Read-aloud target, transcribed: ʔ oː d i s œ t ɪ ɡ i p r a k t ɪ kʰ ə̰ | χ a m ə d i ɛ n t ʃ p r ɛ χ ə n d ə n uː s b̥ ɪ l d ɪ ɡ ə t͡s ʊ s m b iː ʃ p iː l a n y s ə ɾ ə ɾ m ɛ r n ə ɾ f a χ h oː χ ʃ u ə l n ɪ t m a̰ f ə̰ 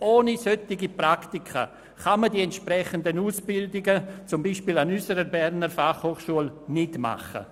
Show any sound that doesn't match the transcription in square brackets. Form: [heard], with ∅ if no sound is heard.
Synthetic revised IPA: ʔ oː [n] i s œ t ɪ ɡ i p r a k t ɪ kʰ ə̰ | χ a m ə d i ɛ n t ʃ p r ɛ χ ə n d ə n uː s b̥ ɪ l d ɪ ɡ ə t͡s ʊ [∅] m b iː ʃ p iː l a n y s ə ɾ ə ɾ [b] ɛ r n ə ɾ f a χ h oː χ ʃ u ə l n ɪ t m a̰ [χ] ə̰